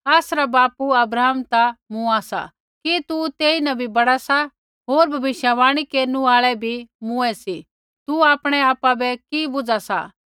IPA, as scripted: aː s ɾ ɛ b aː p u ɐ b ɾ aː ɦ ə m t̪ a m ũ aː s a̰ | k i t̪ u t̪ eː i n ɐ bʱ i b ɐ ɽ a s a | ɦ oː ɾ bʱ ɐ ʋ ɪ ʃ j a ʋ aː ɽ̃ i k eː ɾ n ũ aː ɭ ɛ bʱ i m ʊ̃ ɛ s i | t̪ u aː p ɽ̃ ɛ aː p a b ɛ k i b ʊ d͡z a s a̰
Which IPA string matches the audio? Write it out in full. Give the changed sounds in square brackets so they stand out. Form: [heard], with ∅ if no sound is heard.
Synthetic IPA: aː s ɾ [a] b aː p u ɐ b ɾ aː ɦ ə m t̪ a m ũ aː s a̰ | k i t̪ u t̪ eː i n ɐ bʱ i b ɐ ɽ a s a | ɦ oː ɾ bʱ ɐ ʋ ɪ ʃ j a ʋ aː ɽ̃ i k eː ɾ n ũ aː ɭ ɛ bʱ i m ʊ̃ ɛ s i | t̪ u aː p ɽ̃ ɛ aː p a b ɛ k i b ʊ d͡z a s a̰